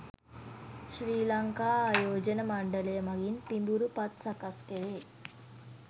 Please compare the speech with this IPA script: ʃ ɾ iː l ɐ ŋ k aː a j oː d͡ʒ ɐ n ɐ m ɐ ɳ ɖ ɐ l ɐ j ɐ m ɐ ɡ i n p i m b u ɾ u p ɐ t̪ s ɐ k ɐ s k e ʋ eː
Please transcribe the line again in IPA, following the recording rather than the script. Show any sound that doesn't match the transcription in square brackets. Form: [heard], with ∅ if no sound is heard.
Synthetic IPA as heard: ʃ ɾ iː l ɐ ŋ k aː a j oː d͡ʒ ɐ n ɐ m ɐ ɳ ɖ ɐ l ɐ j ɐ m ɐ ɡ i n p i m b u ɾ u p ɐ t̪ s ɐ k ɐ s k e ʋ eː